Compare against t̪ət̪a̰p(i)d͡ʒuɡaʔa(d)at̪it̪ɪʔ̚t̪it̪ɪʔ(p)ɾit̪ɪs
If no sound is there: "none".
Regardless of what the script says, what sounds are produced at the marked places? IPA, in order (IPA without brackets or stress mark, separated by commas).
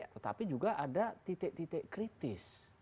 i, d, k